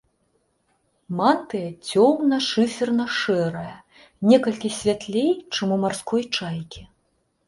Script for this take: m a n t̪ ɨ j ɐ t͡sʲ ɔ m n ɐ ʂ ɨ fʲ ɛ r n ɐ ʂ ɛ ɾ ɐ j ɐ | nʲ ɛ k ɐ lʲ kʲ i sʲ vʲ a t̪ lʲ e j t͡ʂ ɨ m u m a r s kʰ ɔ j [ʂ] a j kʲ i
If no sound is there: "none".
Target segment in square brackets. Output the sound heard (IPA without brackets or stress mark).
t͡ʂ